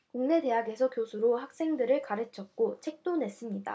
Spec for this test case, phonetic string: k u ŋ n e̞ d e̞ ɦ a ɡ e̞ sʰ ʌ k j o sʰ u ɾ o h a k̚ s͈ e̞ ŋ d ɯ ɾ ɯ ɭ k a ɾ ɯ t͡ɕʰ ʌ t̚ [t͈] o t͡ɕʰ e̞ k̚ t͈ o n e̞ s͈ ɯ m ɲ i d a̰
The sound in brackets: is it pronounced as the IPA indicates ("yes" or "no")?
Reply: no